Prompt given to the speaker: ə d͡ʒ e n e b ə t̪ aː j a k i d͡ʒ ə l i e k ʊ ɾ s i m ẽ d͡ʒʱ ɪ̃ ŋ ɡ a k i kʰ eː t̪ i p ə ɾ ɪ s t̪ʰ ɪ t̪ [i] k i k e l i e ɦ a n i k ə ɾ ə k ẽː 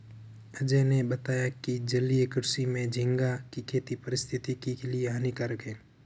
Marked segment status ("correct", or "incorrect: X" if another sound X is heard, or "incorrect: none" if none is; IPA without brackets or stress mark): correct